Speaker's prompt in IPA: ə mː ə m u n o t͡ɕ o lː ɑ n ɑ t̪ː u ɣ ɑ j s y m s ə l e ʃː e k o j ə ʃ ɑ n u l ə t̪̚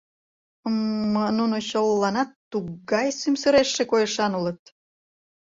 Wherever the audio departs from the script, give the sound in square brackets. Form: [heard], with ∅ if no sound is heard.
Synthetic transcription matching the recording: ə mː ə [n] u n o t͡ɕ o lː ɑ n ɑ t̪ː u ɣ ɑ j s y m s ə [ɾ] e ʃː e k o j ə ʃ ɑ n u l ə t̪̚